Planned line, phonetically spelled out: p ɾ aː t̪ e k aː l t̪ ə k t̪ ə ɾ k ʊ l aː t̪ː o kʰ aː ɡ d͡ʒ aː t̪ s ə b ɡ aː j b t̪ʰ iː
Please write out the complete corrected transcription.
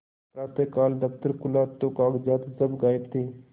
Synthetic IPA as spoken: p ɾ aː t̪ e k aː l d̪ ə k t̪ ə ɾ k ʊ l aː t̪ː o k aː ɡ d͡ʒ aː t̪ s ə b ɡ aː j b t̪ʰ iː